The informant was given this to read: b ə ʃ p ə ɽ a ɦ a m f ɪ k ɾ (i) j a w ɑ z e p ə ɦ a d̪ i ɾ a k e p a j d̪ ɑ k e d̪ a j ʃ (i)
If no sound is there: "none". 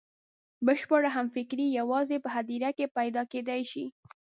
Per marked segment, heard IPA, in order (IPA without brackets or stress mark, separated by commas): i, i